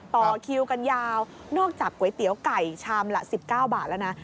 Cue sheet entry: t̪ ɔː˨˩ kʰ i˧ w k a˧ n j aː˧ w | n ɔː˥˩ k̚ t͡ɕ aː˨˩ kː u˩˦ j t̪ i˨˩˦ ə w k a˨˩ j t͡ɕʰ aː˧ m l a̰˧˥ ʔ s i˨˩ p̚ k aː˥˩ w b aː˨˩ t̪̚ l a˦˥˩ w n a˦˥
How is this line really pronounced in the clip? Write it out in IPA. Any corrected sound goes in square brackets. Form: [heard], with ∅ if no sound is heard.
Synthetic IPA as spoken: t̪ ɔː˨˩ kʰ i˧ w k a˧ n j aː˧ w | n ɔː˥˩ k̚ t͡ɕ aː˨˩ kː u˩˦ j t̪ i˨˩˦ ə w k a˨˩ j t͡ɕʰ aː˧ m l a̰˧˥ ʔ s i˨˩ p̚ k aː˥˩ w b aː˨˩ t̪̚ l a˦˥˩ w n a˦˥